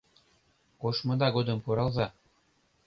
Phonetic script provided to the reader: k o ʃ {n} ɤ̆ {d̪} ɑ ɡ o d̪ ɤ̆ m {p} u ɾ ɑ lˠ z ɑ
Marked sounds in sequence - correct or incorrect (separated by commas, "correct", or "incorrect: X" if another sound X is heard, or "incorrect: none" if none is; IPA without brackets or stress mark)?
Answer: incorrect: m, correct, correct